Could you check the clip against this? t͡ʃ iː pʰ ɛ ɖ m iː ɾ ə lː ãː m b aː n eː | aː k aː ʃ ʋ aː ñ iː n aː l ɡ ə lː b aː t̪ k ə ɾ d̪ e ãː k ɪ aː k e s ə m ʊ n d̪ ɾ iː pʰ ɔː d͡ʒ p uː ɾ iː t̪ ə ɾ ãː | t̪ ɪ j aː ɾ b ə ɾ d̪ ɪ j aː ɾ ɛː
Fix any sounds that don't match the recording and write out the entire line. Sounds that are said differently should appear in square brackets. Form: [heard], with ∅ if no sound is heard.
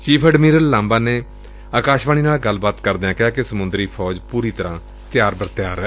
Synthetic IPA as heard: t͡ʃ iː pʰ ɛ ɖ m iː ɾ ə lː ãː m b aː n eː | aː k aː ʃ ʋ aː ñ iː n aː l ɡ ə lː b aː t̪ k ə ɾ d̪ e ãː k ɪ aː k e s ə m ʊ n d̪ ɾ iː pʰ ɔː d͡ʒ p uː ɾ iː t̪ ə ɾ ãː | t̪ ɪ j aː ɾ b ə ɾ [t̪] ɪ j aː ɾ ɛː